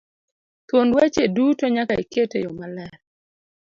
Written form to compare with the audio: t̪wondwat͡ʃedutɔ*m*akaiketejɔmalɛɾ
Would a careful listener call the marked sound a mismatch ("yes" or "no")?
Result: yes